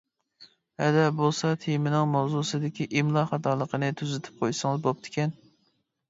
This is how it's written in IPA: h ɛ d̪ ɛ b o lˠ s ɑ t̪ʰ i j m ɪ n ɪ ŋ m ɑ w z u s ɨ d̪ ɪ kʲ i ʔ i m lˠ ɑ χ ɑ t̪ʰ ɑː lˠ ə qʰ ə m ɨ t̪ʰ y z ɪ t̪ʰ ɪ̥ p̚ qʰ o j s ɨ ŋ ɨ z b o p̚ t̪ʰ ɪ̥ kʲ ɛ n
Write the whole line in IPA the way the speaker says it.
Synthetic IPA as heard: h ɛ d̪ ɛ b o lˠ s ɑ t̪ʰ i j m ɪ n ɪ ŋ m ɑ w z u s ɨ d̪ ɪ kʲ i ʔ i m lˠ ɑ χ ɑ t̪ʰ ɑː lˠ ə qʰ ə n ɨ t̪ʰ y z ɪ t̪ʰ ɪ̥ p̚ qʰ o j s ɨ ŋ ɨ z b o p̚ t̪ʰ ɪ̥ kʲ ɛ n